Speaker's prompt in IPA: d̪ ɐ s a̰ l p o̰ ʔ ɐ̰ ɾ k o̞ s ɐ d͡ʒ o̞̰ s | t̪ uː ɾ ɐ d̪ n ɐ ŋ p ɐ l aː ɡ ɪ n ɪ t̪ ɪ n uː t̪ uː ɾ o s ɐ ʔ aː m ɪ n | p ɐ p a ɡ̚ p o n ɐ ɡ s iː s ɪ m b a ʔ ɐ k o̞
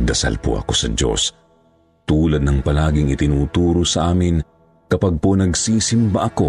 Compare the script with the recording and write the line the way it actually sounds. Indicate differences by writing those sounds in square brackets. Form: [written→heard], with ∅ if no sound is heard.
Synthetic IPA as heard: d̪ ɐ s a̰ l p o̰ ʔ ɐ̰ [ɾ→∅] k o̞ s ɐ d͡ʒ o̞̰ s | t̪ uː [ɾ→l] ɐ d̪ n ɐ ŋ p ɐ l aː ɡ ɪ [n→ŋ] ɪ t̪ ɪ n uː t̪ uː ɾ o s ɐ ʔ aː m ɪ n | [p→k] ɐ p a ɡ̚ p o n ɐ ɡ s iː s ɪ m b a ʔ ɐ k o̞